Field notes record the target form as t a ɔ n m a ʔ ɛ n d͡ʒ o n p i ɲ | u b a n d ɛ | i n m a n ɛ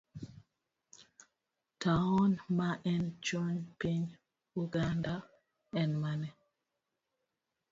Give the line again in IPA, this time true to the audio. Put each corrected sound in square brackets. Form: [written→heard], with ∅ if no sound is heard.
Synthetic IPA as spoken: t a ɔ n m a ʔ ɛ n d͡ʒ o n p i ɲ | u [b→ɡ] a n d [ɛ→a] | [i→ɛ] n m a n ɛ